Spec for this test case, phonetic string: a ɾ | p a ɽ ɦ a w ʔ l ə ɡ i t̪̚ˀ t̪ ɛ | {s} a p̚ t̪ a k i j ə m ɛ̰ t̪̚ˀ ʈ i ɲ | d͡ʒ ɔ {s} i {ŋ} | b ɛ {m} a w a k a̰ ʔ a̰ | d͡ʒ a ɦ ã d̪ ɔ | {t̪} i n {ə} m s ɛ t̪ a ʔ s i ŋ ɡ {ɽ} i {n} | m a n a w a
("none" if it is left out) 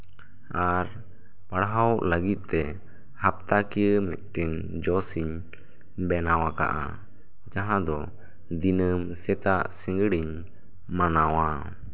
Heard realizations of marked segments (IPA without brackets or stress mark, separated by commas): h, s, ɲ, n, d̪, ə, ɽ, ɲ